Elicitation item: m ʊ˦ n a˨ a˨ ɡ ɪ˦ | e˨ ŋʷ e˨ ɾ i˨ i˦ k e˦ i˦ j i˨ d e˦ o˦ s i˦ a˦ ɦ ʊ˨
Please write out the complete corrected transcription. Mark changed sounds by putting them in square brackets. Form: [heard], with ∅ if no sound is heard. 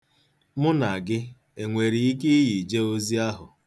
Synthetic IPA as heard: m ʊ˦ n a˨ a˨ ɡ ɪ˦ | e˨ ŋʷ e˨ ɾ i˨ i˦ k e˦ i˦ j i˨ [d͡ʒ] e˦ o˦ [z] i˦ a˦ ɦ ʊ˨

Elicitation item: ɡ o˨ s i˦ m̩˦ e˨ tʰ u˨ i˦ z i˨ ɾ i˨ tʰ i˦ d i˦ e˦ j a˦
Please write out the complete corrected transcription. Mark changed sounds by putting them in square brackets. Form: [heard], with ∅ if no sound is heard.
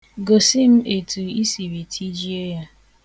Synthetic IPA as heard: ɡ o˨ s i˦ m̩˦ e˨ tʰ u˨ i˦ [s] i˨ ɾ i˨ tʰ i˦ [d͡ʒ] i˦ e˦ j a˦

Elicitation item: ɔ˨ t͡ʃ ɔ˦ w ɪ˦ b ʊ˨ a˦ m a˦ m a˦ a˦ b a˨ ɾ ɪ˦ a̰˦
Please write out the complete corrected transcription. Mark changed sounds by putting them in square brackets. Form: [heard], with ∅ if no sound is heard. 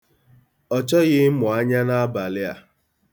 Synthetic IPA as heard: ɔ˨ t͡ʃ ɔ˦ [ɣ] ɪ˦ [m] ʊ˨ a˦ [ɲ] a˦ [n] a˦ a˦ b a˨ [l] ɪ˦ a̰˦

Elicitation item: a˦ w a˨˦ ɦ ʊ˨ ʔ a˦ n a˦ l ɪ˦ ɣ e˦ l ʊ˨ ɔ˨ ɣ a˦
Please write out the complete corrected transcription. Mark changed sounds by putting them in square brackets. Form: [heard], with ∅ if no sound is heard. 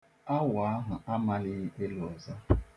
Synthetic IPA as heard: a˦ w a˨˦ ɦ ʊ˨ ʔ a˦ [m] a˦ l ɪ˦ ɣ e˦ l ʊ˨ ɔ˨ [z] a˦

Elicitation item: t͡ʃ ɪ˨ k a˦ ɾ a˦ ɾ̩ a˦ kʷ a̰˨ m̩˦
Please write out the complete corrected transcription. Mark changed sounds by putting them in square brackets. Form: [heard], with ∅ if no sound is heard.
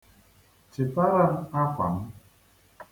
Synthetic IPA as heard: t͡ʃ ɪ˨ [t] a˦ ɾ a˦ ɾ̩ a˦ kʷ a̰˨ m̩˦

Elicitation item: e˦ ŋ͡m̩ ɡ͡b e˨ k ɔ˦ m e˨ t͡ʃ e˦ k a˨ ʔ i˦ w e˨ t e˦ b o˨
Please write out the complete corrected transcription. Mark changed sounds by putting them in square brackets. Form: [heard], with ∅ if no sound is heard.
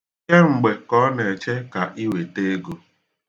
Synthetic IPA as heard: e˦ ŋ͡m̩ ɡ͡b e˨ k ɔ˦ [n] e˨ t͡ʃ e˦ k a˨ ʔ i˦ w e˨ t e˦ [ɡ] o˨

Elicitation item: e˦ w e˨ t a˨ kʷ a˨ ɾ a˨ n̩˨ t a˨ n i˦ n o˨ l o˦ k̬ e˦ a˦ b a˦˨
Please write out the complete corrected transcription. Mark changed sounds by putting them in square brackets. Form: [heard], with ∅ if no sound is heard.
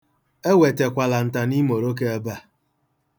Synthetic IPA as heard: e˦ w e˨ t [e˨] kʷ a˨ [l] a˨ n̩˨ t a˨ n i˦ [m] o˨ [ɾ] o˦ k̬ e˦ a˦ b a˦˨

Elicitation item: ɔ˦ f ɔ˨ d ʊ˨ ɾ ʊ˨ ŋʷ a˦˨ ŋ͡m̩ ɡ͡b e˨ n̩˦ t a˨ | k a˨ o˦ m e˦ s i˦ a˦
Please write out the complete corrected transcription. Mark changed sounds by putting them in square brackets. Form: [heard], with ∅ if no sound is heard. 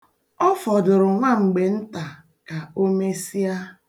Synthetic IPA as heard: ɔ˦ f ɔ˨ d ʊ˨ ɾ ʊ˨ ŋʷ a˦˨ ŋ͡m̩ ɡ͡b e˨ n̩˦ t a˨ | k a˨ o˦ m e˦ s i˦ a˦

